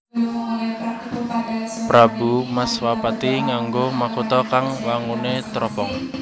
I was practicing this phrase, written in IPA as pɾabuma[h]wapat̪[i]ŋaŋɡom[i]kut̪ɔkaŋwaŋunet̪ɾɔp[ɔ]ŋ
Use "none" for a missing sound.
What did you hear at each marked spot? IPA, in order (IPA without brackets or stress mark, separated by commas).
s, i, a, ɔ